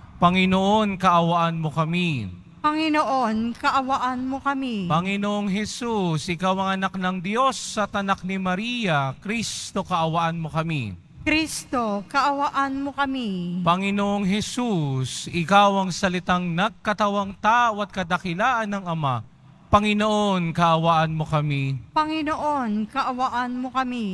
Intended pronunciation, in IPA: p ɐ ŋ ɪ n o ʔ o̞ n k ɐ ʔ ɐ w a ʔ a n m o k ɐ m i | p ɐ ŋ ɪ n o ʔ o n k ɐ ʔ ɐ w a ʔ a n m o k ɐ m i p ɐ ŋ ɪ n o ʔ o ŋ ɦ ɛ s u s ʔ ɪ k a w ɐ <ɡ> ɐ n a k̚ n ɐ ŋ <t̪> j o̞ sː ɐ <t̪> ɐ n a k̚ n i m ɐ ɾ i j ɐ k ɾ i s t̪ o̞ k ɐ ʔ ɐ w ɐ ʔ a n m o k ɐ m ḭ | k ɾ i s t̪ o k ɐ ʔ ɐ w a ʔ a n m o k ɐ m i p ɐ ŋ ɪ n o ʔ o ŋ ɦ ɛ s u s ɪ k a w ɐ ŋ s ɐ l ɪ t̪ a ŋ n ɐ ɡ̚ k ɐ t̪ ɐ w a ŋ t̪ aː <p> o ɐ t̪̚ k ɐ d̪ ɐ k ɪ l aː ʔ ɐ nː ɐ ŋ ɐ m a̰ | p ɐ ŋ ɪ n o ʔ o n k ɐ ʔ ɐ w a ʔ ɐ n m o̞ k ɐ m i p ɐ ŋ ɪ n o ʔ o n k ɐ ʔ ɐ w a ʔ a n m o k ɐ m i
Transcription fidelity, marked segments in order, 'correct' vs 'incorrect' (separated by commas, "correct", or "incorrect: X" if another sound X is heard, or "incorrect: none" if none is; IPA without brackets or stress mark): incorrect: ŋ, incorrect: d̪, correct, incorrect: ʔ